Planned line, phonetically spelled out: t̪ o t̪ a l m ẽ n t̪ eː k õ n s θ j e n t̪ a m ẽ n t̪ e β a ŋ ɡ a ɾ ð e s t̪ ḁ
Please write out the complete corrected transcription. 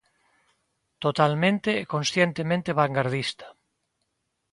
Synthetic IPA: t̪ o t̪ a l m ẽ n t̪ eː k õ n s θ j e n t̪ e m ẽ n t̪ e β a ŋ ɡ a ɾ ð i s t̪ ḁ